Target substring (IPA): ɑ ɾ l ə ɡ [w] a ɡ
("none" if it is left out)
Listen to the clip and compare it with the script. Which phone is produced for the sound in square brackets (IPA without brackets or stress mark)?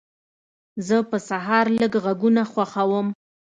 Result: ɣ